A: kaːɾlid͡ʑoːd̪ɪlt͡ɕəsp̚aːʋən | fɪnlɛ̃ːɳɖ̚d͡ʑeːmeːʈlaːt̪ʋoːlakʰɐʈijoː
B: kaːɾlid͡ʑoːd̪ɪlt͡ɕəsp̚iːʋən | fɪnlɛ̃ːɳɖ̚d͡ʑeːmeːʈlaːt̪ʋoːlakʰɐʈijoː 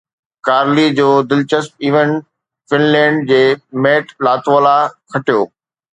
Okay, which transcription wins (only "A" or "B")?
B